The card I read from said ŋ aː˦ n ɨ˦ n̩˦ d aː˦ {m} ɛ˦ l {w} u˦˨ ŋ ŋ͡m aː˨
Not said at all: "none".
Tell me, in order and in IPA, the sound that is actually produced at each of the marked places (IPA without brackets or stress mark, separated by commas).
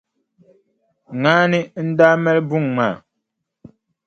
m, b